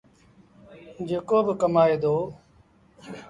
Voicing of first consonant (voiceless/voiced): voiced